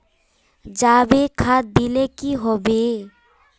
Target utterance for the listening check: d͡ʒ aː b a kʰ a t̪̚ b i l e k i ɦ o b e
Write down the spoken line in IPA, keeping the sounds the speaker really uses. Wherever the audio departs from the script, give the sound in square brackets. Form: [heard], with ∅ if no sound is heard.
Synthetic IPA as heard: d͡ʒ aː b [e] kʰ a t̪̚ b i l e k i ɦ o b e